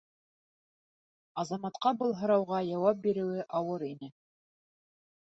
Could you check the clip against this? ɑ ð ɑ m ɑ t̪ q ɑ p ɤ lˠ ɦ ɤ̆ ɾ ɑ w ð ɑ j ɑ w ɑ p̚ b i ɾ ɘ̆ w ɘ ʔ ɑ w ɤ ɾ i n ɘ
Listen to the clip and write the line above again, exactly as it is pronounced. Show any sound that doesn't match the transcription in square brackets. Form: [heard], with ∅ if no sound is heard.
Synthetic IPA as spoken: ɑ [z] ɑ m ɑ t̪ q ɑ [b] ɤ lˠ ɦ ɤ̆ ɾ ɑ w [ʁ] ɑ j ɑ w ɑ p̚ b i ɾ ɘ̆ w ɘ ʔ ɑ w ɤ ɾ i n ɘ